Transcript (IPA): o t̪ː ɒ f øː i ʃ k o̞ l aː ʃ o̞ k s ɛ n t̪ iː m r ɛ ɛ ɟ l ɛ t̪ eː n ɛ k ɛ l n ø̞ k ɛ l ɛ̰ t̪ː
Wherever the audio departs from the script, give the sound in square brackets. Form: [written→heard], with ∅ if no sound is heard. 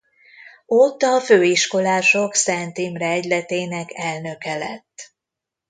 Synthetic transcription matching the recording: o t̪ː ɒ f øː i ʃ k o̞ l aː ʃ o̞ k s ɛ n t̪ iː m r ɛ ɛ ɟ l ɛ t̪ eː n ɛ k ɛ l n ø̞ k ɛ l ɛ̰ t̪ː